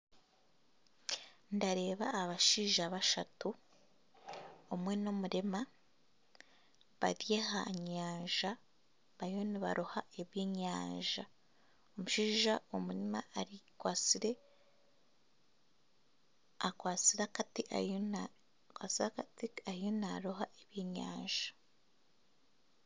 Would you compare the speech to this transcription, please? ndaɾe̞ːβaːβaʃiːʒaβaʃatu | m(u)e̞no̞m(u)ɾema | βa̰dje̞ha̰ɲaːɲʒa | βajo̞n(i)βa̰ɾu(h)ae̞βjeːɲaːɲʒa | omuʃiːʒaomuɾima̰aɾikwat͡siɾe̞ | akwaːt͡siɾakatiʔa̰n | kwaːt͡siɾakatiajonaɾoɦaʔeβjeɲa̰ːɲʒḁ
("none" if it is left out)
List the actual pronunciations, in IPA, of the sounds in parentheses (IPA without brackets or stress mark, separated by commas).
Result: w, u, i, h